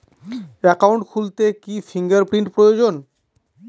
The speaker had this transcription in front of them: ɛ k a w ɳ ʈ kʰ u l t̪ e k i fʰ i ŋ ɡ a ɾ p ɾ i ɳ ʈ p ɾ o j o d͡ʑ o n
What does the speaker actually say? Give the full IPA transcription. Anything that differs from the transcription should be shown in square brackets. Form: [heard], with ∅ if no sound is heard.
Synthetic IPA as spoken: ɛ k a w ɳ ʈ kʰ u l t̪ e k i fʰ i ŋ ɡ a ɾ p ɾ i ɳ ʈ p ɾ o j o d͡ʑ o n